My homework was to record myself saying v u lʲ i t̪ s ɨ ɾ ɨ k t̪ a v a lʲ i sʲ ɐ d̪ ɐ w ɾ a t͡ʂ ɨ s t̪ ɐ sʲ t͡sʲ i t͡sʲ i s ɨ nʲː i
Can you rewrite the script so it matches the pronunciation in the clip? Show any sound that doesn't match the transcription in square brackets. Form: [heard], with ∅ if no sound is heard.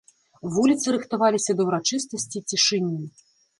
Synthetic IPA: v u lʲ i t̪ s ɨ ɾ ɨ [x] t̪ a v a lʲ i sʲ ɐ d̪ ɐ w ɾ a t͡ʂ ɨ s t̪ ɐ sʲ t͡sʲ i t͡sʲ i [ʂ] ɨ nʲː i